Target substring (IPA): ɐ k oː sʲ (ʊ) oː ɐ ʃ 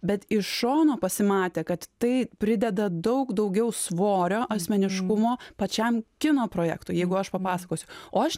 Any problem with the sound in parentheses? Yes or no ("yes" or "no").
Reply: no